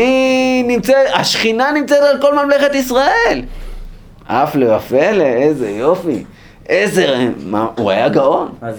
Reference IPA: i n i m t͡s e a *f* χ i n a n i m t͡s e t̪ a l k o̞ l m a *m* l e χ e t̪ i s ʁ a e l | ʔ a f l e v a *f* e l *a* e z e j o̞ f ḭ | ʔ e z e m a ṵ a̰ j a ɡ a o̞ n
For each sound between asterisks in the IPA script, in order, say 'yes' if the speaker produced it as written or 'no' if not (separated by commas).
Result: no, yes, yes, no